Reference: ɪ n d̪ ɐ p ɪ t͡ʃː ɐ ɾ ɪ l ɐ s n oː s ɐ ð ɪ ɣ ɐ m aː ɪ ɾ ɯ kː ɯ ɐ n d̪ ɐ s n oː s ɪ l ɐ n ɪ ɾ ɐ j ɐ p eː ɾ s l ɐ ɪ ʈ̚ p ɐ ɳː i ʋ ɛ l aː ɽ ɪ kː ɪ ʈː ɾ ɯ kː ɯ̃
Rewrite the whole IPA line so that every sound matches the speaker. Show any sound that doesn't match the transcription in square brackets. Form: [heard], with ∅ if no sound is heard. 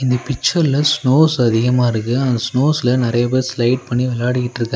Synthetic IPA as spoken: ɪ n d̪ ɐ p ɪ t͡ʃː ɐ ɾ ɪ l ɐ s n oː s ɐ ð ɪ ɣ ɐ m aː ɪ ɾ ɯ kː ɯ ɐ n d̪ ɐ s n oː s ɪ l ɐ n ɪ ɾ ɐ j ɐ p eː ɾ s l ɐ ɪ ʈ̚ p ɐ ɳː i ʋ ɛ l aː ɽ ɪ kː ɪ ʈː ɾ ɯ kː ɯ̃